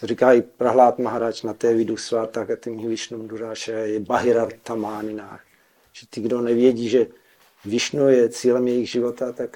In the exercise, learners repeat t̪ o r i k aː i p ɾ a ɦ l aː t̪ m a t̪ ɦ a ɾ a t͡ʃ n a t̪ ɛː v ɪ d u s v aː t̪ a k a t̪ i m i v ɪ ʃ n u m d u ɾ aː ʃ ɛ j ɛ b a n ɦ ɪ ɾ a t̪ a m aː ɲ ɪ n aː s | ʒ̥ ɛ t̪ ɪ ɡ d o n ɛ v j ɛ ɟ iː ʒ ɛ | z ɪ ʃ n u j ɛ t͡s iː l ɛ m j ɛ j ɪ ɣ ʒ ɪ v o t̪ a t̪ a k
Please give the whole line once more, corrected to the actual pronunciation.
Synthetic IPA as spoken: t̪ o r i k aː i p ɾ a ɦ l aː t̪ m a ɦ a ɾ a t͡ʃ n a t̪ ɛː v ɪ d u s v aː t̪ a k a t̪ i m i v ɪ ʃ n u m d u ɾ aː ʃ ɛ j ɛ b a ɦ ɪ ɾ a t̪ a m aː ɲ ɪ n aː x | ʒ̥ ɛ t̪ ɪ ɡ d o n ɛ v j ɛ ɟ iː ʒ ɛ | v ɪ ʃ n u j ɛ t͡s iː l ɛ m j ɛ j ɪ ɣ ʒ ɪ v o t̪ a t̪ a k